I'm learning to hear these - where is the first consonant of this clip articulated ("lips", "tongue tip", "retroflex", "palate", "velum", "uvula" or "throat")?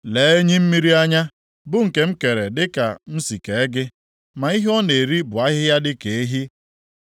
tongue tip